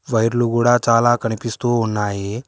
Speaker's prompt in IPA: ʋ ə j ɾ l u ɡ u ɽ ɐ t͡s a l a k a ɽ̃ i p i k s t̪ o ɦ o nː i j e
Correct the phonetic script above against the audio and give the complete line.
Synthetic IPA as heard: ʋ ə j ɾ l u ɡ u ɽ a t͡s a l a k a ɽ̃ i p i s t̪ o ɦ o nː a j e